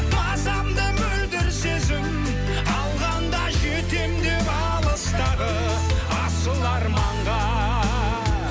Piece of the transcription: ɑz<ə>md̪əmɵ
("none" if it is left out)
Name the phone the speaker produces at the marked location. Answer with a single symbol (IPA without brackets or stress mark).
ɑ